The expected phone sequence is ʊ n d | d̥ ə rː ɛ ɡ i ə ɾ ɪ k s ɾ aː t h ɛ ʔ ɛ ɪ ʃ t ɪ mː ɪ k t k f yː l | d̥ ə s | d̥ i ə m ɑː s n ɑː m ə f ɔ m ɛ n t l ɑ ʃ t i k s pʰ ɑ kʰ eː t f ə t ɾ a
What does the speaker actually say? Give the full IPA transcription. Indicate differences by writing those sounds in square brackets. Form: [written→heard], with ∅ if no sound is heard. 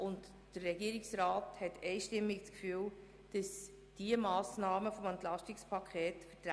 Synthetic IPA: ʊ n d | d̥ ə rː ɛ ɡ i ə ɾ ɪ k s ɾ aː t h ɛ [ʔ→t] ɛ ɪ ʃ t ɪ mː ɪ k [t→t͡s] k f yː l | d̥ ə s | d̥ i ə m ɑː s n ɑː m ə f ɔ m ɛ n t l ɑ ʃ t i k s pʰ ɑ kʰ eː t f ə t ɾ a